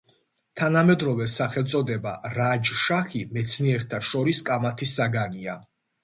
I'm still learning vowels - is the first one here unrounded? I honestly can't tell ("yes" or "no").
yes